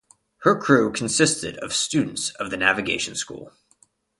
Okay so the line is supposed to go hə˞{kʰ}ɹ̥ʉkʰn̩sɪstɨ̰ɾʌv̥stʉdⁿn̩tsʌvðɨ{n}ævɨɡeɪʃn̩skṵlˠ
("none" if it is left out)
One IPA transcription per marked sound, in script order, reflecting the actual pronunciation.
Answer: kʰ, n

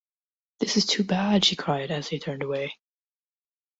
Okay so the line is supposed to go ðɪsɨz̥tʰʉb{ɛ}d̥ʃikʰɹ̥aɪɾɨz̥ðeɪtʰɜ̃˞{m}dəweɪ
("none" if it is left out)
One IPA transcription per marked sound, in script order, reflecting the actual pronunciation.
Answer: æ, n

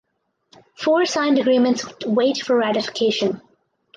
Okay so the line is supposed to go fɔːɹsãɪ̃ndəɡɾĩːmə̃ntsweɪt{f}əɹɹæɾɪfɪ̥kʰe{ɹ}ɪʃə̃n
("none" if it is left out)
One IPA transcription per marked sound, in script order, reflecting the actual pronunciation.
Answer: f, none

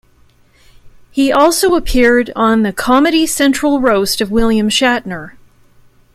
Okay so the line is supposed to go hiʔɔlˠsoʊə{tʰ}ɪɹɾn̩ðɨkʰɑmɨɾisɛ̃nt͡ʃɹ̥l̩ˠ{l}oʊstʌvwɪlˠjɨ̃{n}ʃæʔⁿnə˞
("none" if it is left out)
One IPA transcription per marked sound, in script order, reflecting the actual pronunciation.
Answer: pʰ, ɹ, m

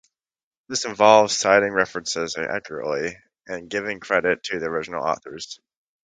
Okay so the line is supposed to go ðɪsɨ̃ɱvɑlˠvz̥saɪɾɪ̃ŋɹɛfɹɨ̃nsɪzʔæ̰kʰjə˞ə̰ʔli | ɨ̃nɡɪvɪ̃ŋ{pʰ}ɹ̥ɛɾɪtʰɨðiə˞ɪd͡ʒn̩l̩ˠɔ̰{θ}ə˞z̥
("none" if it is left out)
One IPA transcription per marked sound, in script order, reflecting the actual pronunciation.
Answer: kʰ, θ

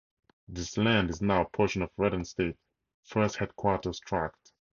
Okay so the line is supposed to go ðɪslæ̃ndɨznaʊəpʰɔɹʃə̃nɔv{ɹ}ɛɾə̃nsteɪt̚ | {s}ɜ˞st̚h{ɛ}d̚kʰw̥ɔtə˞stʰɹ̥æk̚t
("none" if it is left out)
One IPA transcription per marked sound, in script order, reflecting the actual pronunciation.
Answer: ɹ, f, ɛ

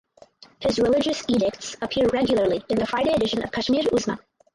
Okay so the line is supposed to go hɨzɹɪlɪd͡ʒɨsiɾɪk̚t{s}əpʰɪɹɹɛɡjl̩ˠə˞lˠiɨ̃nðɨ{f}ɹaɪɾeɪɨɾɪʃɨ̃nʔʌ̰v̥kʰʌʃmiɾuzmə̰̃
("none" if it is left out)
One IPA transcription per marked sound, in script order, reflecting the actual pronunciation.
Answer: s, f

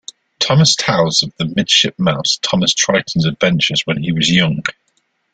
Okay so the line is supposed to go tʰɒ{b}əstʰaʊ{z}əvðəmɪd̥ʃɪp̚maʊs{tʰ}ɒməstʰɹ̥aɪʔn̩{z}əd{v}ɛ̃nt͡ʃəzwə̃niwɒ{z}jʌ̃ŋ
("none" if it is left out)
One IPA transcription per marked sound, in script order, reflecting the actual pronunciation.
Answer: m, z, tʰ, z, v, z

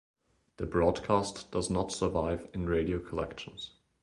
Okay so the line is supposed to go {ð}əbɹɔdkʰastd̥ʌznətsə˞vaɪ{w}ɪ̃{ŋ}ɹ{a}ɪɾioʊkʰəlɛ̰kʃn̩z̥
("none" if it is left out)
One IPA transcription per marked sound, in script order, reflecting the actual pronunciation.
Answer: ð, v, n, e

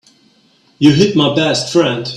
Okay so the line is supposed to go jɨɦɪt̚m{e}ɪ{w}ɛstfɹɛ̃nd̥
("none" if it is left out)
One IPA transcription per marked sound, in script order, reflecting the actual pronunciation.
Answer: a, b

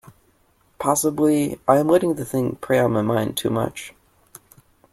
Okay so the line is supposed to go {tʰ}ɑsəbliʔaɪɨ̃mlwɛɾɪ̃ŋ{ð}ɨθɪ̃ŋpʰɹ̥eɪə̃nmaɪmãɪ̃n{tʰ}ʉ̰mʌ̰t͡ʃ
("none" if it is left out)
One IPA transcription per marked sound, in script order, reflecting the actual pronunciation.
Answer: pʰ, ð, tʰ

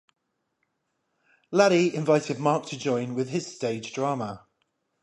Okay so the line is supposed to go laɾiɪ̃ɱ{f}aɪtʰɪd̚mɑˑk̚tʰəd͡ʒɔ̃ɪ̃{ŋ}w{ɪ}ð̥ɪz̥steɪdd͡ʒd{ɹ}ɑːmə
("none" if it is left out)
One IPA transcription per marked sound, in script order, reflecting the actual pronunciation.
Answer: v, n, ɪ, ɹ

